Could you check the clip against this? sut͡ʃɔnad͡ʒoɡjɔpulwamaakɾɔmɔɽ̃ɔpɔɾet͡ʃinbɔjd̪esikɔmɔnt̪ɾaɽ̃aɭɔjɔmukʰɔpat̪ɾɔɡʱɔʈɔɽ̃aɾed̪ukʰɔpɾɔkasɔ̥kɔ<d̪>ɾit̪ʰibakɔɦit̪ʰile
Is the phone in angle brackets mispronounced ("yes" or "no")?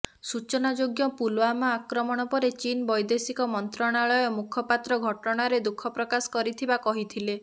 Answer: yes